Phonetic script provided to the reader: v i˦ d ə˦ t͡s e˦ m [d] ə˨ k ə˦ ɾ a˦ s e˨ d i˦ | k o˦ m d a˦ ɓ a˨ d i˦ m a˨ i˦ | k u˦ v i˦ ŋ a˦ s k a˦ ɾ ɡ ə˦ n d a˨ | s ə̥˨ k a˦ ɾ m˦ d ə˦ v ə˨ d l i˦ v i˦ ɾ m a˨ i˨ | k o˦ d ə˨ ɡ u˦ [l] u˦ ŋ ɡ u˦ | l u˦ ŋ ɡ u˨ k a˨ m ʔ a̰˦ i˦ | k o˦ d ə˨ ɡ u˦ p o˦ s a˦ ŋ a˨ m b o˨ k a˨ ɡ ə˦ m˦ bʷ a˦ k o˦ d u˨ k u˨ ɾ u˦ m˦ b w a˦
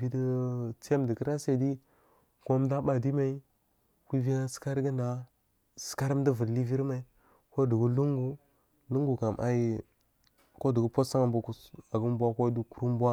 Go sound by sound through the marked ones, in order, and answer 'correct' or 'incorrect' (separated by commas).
correct, correct